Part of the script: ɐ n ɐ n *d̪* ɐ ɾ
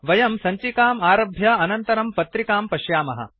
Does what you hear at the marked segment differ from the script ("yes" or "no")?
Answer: yes